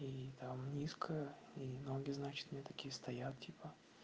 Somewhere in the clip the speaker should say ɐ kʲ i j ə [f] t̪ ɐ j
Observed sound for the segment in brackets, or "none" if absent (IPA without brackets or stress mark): s